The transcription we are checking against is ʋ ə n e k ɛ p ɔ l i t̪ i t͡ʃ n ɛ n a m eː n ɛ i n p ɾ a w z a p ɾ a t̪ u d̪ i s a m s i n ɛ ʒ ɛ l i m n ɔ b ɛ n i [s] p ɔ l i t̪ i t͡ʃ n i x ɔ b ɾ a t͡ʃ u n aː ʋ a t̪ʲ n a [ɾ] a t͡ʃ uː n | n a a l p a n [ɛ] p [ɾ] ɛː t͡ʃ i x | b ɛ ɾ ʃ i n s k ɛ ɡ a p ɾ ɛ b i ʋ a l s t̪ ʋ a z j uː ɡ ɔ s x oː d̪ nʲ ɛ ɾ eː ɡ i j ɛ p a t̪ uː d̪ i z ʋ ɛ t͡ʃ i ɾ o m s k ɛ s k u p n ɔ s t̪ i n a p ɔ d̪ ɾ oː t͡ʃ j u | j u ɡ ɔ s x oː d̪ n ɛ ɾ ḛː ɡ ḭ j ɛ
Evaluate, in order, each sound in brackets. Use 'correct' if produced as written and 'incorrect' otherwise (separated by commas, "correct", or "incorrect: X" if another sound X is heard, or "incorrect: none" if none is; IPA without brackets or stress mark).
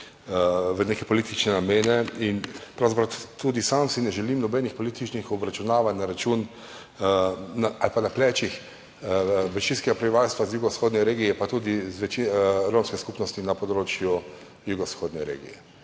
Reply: incorrect: x, correct, incorrect: a, incorrect: l